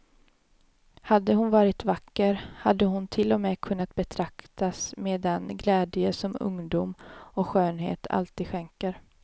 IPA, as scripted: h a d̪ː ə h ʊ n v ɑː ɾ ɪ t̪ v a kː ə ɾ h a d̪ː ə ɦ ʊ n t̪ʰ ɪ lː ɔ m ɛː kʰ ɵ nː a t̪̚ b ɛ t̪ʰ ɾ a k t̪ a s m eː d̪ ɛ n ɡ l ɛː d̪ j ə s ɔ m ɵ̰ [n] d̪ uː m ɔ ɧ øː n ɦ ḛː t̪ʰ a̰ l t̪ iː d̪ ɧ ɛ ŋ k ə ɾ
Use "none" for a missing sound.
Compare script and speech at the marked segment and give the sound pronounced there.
ŋ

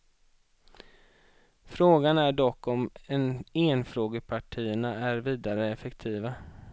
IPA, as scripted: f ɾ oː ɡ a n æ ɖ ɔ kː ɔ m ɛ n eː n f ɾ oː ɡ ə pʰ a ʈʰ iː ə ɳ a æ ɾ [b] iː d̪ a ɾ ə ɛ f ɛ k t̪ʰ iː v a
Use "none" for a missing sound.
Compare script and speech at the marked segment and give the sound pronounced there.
v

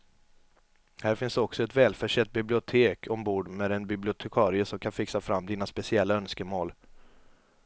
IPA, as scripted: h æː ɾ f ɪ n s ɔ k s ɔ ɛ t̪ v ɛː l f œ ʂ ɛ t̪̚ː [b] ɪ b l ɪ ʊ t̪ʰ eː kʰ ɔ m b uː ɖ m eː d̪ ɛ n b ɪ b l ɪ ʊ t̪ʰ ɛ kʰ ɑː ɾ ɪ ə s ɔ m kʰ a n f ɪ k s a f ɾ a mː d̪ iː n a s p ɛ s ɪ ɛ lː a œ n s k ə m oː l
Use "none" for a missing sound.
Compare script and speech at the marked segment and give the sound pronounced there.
b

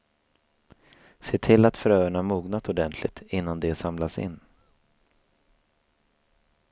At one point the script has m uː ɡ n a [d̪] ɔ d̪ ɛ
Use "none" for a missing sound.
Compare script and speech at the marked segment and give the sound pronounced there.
t̪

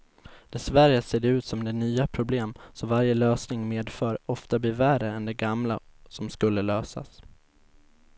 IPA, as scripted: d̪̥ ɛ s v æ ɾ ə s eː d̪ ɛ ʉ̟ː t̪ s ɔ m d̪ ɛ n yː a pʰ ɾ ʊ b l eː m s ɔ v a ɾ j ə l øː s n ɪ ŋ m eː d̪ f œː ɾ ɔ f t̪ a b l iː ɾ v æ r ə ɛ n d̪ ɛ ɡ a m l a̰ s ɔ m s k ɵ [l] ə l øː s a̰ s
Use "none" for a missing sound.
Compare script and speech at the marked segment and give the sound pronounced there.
lː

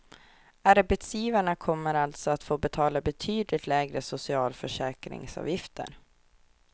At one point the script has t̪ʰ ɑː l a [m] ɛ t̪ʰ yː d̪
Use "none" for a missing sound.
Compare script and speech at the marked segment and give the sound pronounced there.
b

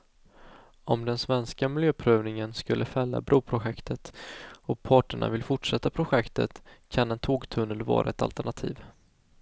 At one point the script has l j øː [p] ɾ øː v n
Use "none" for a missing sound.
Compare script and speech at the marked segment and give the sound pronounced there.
pʰ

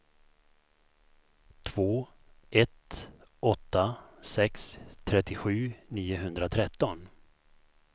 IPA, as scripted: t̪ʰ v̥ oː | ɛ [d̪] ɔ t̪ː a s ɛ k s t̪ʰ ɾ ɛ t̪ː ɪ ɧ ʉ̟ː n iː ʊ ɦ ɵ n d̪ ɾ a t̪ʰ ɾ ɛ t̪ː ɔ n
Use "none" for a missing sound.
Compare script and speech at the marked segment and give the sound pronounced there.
t̪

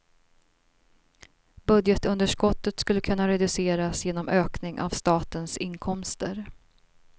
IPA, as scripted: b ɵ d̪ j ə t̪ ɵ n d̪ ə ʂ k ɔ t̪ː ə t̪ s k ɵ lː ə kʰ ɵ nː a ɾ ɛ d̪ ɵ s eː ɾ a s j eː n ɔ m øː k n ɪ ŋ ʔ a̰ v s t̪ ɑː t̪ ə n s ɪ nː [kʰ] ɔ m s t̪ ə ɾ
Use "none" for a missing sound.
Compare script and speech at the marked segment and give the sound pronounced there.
kʰ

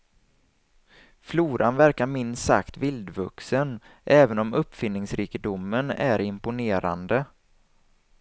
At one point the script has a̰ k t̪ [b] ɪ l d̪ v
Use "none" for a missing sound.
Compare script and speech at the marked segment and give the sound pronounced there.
v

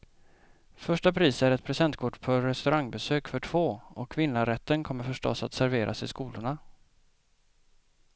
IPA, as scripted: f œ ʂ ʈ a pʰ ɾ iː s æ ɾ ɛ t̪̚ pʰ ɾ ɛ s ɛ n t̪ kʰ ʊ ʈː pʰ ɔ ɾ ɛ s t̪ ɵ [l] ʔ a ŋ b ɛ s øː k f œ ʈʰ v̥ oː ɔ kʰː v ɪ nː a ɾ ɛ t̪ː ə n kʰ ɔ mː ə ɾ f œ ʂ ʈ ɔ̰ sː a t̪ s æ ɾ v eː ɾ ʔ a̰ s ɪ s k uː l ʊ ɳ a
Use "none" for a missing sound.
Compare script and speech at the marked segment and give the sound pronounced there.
ɾ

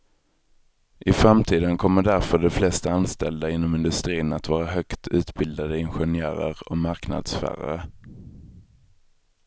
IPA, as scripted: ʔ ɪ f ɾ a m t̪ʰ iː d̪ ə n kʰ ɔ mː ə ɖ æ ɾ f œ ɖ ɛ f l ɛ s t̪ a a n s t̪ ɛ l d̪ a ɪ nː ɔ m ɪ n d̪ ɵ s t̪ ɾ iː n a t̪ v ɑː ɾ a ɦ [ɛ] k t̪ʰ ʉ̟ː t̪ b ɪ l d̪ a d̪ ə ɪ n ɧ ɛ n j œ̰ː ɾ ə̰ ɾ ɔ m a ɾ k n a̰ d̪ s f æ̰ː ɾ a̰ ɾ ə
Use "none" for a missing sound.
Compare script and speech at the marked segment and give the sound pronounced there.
œ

